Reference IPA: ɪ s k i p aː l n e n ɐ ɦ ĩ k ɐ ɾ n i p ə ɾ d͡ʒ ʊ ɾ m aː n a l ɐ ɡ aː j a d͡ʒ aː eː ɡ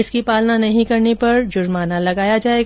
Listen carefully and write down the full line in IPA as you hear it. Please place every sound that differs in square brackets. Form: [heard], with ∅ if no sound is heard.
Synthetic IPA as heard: ɪ s k i p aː l n [a] n ɐ ɦ ĩ k ɐ ɾ n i p [ɐ] ɾ d͡ʒ ʊ ɾ m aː n a l ɐ ɡ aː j a d͡ʒ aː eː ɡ